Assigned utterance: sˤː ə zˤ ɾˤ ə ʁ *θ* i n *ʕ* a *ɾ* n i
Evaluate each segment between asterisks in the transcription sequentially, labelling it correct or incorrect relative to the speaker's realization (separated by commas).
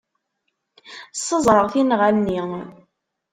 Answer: correct, incorrect, incorrect